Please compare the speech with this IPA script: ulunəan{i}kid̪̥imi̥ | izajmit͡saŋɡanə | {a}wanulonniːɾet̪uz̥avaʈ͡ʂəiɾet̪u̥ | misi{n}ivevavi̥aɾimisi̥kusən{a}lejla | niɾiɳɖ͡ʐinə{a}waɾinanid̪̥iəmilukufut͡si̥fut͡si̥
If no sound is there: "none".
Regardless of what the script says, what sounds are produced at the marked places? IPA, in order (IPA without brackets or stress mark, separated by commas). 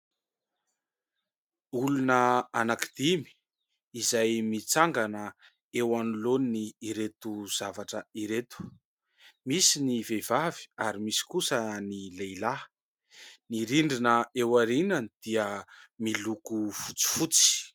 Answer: a, e, n, i, e